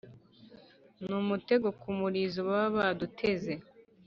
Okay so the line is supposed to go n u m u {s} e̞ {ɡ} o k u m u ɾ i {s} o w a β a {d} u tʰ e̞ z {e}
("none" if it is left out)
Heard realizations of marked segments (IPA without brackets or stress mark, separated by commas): t, ɡ, z, d, e